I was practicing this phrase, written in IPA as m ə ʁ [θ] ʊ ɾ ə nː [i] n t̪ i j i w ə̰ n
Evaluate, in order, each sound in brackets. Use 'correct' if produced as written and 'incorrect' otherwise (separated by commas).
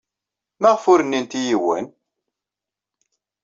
incorrect, correct